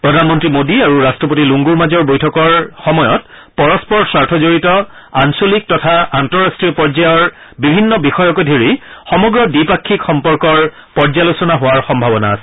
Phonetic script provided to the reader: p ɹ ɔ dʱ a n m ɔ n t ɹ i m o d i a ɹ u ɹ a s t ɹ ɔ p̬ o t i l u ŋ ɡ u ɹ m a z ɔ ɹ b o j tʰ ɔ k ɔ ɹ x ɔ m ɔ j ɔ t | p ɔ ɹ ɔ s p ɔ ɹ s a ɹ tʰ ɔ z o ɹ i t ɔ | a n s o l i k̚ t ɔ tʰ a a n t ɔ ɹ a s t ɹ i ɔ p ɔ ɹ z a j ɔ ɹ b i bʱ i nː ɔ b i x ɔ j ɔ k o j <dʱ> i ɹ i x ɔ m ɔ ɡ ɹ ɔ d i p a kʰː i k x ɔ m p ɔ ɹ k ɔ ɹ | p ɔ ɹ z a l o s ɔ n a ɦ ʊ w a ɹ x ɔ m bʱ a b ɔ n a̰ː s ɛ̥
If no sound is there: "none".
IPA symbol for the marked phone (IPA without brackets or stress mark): dʱ